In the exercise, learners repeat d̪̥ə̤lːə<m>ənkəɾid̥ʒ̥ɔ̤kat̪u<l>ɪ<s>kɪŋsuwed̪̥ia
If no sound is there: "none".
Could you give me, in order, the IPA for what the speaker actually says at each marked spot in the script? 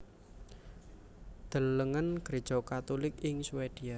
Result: ŋ, l, none

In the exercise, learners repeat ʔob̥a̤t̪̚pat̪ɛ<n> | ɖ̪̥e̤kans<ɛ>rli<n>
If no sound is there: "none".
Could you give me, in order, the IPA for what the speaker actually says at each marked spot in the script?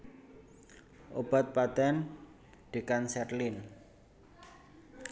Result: n, ɛ, n

